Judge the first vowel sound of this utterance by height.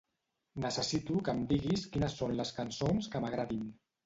mid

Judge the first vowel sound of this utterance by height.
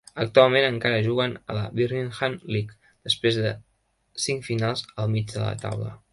mid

